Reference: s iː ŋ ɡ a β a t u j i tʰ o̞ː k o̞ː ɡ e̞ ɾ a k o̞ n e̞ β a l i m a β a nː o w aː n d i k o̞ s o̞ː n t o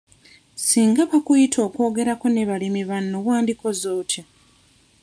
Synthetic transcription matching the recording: s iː ŋ ɡ a β a k u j i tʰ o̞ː k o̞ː ɡ e̞ ɾ a k o̞ n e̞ β a l i m i β a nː o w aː n d i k o̞ z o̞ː t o

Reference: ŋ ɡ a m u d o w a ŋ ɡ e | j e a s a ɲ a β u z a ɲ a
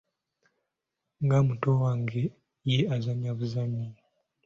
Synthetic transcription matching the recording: ŋ ɡ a m u t o w a ŋ ɡ e | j e a z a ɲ a β u z a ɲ i

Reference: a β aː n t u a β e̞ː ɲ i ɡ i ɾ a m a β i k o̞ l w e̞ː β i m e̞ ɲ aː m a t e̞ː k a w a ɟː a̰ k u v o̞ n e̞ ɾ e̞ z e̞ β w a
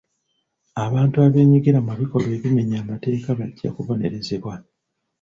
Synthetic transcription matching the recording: a β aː n t u a β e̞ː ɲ i ɡ i ɾ a m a β i k o̞ l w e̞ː β i m e̞ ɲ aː m a t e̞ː k a β a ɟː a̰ k u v o̞ n e̞ ɾ e̞ z e̞ β w a

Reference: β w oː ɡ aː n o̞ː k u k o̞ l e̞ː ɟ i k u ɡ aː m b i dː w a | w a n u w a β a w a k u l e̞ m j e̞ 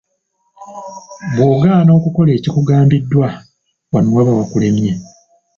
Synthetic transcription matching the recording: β w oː ɡ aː n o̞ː k u k o̞ l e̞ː c i k u ɡ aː m b i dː w a | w a n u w a β a w a k u l e̞ m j e̞

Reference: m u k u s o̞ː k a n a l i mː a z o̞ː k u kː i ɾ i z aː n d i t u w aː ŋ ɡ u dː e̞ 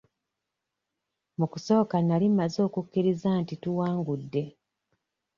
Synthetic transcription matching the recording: m u k u s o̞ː k a n a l i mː a z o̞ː k u kː i ɾ i z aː n t i t u w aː ŋ ɡ u dː e̞

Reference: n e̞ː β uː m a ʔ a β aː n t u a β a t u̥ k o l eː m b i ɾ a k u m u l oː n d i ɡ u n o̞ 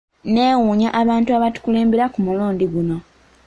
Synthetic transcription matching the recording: n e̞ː w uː ɲ a ʔ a β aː n t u a β a t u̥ k u l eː m b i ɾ a k u m u l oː n d i ɡ u n o̞

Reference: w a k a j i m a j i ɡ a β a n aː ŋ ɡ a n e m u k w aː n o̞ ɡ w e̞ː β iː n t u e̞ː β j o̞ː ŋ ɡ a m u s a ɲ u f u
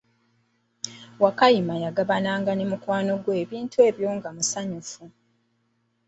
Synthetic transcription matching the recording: w a k a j i m a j a ɡ a β a n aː ŋ ɡ a n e m u k w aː n o̞ ɡ w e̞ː β iː n t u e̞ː β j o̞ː ŋ ɡ a m u s a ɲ u f u

